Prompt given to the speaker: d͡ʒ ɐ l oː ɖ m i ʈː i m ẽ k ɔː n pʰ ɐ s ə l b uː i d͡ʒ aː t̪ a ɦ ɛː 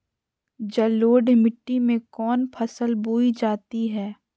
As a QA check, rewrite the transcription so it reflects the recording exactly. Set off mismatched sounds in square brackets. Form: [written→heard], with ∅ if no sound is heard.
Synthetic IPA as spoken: d͡ʒ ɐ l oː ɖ m [i→ɪ] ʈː i m ẽ k ɔː n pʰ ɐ s ə l b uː i d͡ʒ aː t̪ [a→i] ɦ ɛː